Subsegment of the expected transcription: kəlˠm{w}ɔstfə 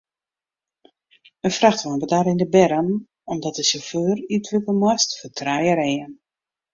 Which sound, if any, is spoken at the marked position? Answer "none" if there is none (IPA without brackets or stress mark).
w